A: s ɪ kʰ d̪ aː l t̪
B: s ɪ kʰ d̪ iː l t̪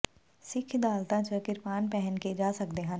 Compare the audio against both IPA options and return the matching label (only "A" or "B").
A